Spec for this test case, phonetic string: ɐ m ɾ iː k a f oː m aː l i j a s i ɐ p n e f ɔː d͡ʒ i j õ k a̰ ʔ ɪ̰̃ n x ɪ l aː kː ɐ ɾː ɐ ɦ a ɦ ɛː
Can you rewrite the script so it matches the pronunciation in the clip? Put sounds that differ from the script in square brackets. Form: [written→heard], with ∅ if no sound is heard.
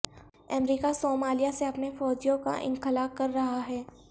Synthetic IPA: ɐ m ɾ iː k a [f→s] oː m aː l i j a s [i→e] ɐ p n e f ɔː d͡ʒ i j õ k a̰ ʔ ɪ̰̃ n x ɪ l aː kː ɐ ɾː ɐ ɦ a ɦ ɛː